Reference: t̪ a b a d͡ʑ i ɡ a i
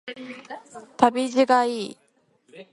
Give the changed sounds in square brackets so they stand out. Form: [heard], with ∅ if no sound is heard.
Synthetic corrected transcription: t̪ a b [i] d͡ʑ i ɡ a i